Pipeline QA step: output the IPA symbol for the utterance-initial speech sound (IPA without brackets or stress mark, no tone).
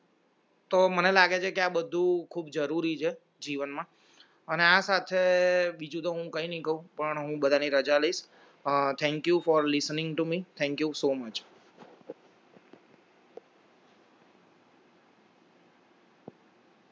t̪